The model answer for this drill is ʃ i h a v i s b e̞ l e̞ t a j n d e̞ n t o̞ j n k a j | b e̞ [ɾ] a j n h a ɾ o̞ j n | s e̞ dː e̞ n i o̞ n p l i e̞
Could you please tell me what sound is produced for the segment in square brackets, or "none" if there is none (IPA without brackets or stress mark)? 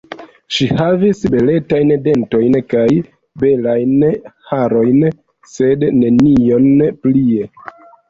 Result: l